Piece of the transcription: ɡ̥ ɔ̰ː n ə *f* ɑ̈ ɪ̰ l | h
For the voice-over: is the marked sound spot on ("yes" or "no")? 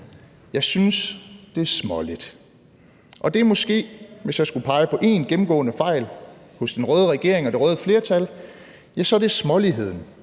yes